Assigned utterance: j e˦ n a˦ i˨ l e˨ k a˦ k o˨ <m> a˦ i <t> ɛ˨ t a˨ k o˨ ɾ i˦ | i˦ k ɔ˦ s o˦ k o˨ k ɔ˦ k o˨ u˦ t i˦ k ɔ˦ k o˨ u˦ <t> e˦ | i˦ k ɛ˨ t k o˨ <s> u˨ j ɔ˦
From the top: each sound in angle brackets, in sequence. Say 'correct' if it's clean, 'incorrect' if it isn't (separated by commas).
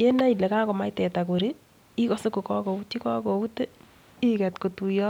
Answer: correct, correct, correct, incorrect